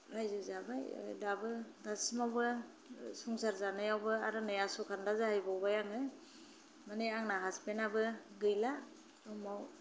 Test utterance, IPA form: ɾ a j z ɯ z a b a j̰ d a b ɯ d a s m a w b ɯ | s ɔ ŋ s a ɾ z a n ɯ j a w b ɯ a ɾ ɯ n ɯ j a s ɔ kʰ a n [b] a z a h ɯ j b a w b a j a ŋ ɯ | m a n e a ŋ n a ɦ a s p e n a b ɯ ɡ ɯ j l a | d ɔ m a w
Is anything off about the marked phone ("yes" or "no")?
yes